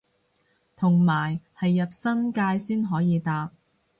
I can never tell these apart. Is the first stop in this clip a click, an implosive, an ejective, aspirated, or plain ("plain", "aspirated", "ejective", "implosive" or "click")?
aspirated